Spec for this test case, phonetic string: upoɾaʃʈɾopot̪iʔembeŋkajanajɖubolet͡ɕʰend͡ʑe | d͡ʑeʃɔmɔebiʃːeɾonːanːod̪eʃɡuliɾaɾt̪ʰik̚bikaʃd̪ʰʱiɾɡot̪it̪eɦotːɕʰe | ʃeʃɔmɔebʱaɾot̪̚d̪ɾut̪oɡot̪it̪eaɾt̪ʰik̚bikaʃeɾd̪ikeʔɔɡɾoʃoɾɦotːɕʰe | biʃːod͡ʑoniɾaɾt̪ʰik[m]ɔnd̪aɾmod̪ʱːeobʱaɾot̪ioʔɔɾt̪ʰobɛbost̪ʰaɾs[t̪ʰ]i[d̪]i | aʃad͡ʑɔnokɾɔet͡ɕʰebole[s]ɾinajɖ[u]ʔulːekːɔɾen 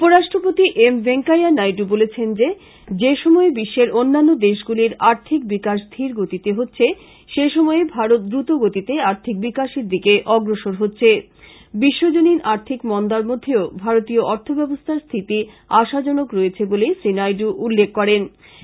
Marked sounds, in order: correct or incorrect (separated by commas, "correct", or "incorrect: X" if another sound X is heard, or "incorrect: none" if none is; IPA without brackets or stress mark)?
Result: correct, correct, incorrect: t̪, correct, correct